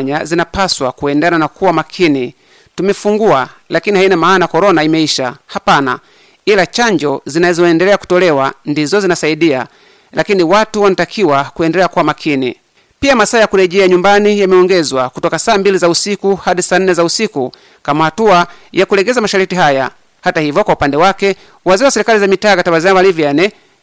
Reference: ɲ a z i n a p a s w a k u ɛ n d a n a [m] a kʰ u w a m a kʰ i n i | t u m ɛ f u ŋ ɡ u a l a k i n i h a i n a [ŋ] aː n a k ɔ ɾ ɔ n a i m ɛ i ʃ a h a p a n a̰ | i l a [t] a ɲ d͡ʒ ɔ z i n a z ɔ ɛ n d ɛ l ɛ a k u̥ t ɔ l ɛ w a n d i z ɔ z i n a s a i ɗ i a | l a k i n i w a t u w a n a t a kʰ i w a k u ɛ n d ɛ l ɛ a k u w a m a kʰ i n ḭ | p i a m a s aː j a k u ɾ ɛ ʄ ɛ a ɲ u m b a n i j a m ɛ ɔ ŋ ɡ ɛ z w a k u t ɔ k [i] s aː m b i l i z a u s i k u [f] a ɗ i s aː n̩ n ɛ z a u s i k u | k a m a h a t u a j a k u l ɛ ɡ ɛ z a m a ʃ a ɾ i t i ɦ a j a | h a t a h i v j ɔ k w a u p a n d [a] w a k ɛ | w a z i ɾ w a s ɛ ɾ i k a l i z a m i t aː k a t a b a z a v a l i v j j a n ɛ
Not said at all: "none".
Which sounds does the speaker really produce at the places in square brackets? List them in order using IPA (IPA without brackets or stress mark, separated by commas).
n, m, t͡ʃ, a, h, ɛ